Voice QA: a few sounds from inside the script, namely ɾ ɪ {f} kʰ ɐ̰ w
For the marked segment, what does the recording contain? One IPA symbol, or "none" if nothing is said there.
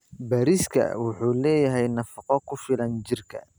s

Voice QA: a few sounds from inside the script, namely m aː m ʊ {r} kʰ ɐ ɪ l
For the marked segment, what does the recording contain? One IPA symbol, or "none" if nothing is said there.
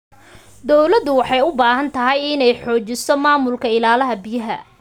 l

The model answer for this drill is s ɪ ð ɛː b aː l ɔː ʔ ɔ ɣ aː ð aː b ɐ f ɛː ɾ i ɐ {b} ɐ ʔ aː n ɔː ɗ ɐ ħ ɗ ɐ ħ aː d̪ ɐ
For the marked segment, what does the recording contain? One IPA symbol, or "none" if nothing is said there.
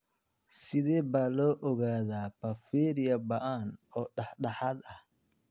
b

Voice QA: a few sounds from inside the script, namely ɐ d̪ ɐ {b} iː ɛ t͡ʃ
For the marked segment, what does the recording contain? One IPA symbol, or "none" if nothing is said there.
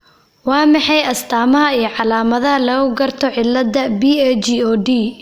b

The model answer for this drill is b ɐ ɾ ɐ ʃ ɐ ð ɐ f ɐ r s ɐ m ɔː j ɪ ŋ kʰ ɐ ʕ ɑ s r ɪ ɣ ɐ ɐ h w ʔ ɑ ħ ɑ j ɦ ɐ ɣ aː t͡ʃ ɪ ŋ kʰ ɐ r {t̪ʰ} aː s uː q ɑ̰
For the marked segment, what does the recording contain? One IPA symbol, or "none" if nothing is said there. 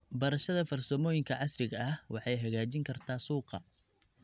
t̪ʰ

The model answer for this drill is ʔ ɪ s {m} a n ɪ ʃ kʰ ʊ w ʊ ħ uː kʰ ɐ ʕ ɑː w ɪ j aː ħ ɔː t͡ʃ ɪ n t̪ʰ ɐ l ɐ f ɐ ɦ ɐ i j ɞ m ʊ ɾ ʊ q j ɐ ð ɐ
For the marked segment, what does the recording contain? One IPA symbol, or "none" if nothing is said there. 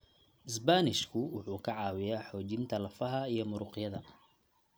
b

